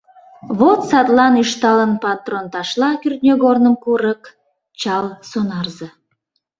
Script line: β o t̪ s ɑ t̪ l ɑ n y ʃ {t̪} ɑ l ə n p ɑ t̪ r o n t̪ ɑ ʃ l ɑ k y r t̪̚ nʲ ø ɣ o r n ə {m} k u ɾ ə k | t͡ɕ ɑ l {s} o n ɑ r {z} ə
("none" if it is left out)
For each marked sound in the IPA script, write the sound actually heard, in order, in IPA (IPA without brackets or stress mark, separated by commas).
t̪, m, s, z